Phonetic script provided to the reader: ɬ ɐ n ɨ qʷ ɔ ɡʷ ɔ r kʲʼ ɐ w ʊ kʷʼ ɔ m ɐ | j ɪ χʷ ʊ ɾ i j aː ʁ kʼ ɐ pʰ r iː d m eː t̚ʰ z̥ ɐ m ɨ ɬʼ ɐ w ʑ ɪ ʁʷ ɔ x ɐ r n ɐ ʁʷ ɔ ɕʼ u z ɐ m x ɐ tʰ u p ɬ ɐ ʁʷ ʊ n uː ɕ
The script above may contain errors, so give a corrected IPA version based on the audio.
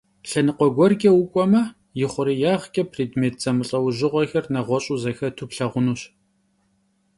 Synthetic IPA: ɬ ɐ n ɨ qʷ ɔ ɡʷ ɔ r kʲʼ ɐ w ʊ kʷʼ ɔ m ɐ | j ɪ χʷ ʊ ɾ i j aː ʁ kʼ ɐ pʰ r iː d m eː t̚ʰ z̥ ɐ m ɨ ɬʼ ɐ w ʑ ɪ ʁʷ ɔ x ɐ r n ɐ ʁʷ ɔ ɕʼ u z ɐ x ɐ tʰ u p ɬ ɐ ʁʷ ʊ n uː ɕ